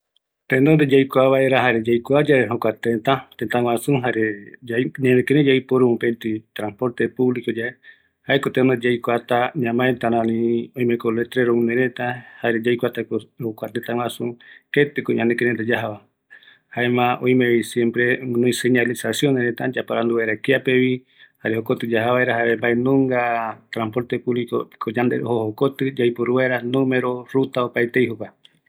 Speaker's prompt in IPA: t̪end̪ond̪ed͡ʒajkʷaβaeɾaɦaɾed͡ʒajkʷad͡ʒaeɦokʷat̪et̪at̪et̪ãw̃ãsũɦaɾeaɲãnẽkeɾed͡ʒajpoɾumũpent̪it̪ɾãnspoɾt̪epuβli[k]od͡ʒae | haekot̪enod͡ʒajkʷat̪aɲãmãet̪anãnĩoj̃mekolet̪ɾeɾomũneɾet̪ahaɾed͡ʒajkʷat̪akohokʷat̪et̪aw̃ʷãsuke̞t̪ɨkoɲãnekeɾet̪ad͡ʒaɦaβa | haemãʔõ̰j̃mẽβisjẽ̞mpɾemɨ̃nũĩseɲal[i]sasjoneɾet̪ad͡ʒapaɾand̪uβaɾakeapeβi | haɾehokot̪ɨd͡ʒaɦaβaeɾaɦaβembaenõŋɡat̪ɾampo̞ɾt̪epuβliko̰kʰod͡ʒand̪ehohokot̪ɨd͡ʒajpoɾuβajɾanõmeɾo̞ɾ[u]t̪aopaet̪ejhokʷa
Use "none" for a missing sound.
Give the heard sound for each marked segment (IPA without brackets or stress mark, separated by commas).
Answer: k, i, u